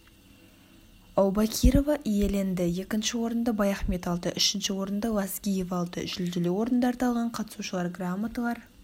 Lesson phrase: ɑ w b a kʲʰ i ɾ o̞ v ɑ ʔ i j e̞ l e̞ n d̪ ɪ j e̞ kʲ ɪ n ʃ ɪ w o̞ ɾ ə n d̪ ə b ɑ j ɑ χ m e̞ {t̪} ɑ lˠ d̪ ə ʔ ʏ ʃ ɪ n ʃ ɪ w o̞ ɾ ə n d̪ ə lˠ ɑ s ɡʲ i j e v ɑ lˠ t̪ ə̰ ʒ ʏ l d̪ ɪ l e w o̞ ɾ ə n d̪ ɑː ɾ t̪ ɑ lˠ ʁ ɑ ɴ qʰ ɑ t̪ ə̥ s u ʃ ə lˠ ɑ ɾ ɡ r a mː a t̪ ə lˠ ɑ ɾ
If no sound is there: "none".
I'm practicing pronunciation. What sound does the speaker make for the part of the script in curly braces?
t̪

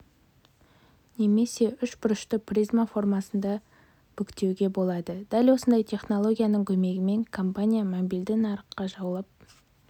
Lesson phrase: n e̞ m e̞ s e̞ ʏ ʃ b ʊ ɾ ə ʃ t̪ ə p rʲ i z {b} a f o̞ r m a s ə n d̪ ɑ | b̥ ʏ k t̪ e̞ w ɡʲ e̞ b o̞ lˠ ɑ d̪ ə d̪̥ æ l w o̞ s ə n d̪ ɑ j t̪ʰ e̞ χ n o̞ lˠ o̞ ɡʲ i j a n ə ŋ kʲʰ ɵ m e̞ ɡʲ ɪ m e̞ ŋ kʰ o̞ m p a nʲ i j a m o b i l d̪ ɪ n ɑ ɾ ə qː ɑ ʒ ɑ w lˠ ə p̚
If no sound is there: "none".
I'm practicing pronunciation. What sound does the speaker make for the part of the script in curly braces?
m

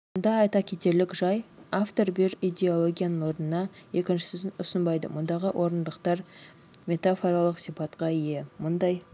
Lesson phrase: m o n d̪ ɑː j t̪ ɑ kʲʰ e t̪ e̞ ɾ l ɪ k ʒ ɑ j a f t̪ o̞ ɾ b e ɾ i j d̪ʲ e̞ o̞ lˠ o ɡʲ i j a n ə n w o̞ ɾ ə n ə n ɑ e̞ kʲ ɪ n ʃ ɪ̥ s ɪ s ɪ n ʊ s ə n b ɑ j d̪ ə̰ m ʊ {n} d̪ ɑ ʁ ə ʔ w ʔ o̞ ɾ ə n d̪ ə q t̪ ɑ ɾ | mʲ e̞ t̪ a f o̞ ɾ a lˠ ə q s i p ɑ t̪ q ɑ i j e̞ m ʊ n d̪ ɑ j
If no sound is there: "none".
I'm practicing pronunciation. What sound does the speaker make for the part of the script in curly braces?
n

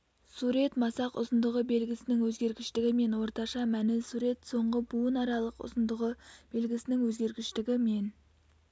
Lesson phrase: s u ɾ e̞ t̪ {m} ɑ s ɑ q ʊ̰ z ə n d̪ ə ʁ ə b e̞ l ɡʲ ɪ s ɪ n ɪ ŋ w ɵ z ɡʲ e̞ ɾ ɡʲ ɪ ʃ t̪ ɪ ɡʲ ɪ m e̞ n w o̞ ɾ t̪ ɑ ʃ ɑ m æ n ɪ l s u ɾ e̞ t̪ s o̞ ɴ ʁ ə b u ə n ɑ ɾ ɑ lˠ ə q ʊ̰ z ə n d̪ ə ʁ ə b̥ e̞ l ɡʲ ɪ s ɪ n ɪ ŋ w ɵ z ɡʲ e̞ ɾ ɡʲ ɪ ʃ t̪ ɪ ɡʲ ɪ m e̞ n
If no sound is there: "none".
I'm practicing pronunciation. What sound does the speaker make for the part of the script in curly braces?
m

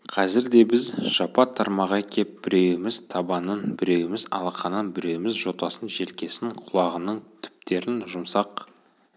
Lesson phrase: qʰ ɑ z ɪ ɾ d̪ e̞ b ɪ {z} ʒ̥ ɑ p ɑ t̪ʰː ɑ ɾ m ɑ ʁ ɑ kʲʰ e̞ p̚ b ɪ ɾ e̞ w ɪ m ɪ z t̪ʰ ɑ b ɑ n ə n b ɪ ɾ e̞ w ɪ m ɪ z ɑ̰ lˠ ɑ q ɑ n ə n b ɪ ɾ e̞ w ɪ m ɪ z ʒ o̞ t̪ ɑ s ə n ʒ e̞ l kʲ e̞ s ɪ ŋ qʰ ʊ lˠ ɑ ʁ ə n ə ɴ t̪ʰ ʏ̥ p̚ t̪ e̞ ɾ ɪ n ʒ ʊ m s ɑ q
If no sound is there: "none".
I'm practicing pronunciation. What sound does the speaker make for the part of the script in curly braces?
z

